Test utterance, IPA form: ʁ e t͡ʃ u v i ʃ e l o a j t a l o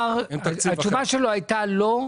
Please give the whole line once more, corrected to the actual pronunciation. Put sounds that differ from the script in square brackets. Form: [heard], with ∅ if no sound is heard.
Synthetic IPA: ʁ [a] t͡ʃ u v [a] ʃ e l o a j t a l o